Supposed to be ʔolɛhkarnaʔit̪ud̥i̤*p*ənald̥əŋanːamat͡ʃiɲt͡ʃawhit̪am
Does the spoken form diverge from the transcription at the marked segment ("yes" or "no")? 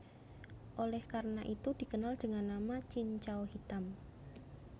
yes